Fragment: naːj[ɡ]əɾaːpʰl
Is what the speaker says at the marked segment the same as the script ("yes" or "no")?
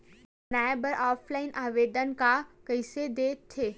no